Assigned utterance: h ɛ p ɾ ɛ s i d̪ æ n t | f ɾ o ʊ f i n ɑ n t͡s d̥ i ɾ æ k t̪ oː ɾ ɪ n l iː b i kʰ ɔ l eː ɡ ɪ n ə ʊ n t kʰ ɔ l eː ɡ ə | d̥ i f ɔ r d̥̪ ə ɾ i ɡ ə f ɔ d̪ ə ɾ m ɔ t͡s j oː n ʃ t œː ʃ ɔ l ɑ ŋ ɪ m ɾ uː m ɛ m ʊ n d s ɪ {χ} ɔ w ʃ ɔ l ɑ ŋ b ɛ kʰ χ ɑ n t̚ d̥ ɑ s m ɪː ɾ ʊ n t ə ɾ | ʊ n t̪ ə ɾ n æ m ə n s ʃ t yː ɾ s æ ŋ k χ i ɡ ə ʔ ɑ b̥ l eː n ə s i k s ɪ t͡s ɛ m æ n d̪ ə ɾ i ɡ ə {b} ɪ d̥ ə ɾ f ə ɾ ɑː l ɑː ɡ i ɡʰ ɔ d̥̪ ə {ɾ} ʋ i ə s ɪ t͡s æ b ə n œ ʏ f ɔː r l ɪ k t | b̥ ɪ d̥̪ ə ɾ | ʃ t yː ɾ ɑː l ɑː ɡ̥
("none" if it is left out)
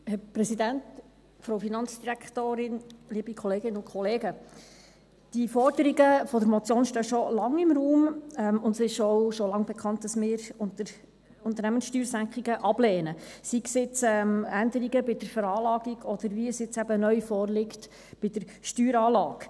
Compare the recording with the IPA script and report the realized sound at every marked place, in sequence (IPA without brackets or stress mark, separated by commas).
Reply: ʃ, b, ɾ